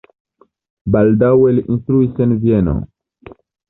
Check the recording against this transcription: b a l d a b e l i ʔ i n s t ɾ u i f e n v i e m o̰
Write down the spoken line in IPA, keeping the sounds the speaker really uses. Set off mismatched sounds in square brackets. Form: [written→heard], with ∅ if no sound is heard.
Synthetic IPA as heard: b a l d a [b→w] e l i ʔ i n s t ɾ u i [f→s] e n v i e [m→n] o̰